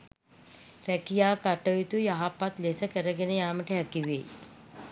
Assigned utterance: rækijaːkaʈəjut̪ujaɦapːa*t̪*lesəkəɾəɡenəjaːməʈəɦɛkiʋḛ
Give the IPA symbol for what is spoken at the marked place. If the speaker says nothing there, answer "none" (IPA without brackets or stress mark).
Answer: t̪